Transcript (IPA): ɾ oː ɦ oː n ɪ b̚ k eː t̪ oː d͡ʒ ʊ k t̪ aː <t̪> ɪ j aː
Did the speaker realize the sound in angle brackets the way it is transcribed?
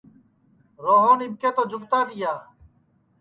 no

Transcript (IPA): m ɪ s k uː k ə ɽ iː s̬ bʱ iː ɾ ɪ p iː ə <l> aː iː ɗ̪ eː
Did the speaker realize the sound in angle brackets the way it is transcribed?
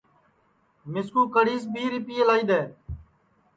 yes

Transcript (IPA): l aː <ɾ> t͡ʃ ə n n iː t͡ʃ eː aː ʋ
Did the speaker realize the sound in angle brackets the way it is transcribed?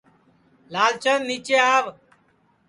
no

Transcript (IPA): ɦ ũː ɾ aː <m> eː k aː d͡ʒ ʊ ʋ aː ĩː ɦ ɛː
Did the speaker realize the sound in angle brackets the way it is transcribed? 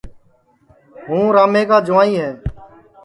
yes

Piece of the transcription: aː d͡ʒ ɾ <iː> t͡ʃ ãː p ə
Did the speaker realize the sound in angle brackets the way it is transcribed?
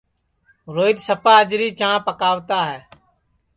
yes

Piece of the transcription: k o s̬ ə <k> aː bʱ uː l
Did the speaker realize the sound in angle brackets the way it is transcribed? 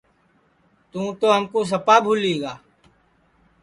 no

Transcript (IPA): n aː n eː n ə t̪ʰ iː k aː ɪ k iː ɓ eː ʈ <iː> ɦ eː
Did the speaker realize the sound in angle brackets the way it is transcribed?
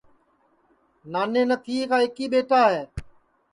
no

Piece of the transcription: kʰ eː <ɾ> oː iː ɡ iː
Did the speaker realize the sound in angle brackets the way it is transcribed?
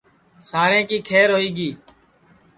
yes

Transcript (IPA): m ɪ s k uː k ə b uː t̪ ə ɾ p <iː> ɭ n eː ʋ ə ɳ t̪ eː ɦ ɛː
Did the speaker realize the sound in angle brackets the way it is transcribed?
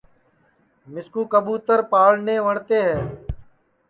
no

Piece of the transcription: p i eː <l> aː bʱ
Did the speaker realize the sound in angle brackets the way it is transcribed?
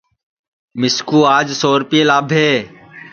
yes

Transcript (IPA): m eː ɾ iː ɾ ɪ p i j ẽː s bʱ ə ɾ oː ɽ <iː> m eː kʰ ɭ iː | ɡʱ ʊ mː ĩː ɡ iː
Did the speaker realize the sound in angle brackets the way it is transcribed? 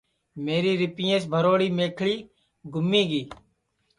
yes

